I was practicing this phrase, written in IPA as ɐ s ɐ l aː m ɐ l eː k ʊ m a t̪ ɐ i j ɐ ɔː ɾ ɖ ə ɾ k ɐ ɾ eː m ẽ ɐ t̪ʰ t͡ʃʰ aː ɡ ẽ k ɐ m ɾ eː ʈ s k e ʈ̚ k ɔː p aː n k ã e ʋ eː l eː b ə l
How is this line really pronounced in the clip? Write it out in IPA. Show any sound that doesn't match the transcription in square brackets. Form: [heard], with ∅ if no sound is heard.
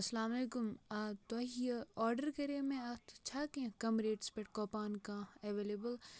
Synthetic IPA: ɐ s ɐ l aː m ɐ l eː k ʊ m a t̪ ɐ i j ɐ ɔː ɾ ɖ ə ɾ k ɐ ɾ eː m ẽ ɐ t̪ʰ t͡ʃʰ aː [k] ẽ k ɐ m ɾ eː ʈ s [p] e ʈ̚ k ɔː p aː n k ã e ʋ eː l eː b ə l